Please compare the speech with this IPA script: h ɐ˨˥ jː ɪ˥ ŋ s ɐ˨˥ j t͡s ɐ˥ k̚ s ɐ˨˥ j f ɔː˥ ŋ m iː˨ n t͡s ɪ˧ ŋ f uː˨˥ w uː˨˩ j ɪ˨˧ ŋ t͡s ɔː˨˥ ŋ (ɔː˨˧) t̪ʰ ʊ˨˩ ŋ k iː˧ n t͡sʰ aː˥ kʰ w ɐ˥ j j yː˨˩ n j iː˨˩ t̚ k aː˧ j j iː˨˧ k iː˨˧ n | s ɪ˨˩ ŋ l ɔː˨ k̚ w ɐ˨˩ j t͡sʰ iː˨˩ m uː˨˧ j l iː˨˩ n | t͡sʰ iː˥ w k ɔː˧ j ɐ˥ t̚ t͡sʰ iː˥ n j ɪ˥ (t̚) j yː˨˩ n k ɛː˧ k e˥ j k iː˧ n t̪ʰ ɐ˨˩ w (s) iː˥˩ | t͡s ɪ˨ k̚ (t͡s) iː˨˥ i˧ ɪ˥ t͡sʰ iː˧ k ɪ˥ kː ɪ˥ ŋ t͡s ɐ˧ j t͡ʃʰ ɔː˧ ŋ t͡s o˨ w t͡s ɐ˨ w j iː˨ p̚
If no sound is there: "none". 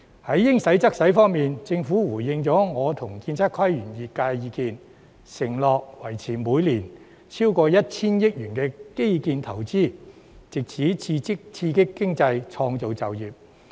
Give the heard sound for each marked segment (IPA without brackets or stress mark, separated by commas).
ɔː˨˧, k̚, t͡s, t͡sʰ